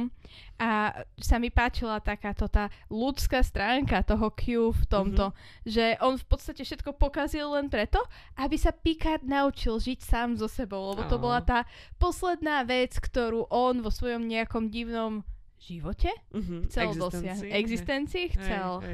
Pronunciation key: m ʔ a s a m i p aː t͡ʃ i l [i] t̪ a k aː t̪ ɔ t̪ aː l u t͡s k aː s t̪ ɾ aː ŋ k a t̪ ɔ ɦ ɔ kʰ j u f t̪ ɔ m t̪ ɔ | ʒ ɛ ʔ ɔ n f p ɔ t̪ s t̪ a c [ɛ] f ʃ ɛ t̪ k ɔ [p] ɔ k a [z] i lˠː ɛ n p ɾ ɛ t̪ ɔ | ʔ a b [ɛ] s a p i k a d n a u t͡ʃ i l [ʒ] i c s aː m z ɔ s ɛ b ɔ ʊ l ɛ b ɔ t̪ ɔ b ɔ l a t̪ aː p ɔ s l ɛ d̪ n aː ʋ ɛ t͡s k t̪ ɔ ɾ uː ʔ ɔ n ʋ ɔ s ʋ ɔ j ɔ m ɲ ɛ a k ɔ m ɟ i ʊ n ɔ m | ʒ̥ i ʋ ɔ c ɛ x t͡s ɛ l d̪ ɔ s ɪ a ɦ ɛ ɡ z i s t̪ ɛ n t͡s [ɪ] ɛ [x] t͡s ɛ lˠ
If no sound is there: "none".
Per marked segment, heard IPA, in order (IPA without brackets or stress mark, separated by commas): a, ɛ, p, z, i, ʒ, i, x